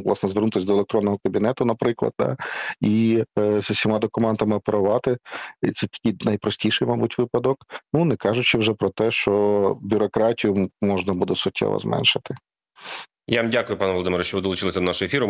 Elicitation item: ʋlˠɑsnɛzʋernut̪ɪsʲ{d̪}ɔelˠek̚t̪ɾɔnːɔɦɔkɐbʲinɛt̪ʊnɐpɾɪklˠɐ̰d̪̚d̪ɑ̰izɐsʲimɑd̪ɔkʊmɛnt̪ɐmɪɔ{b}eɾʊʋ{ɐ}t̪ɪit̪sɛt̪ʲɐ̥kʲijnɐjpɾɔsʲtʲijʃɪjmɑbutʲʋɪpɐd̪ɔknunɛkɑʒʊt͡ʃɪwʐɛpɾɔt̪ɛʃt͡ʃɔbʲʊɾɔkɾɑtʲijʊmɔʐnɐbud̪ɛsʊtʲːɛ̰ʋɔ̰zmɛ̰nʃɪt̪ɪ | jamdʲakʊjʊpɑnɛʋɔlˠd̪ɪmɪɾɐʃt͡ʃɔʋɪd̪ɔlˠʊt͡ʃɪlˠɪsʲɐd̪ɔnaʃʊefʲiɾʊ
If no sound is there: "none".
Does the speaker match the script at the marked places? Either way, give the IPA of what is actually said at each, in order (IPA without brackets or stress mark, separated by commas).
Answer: d̪, p, ɑ